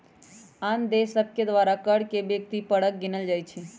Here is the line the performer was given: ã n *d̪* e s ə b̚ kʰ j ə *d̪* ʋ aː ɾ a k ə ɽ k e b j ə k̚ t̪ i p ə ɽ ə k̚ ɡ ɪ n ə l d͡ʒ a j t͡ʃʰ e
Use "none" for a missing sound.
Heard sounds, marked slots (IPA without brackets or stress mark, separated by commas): d̪, d̪